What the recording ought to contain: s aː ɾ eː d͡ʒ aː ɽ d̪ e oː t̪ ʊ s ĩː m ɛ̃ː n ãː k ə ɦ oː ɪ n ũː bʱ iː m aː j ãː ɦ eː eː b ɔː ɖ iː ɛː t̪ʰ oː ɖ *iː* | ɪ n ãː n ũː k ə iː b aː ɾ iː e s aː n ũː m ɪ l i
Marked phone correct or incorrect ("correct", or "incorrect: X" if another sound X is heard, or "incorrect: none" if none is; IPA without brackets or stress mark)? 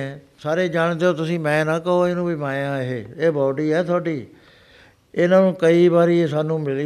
correct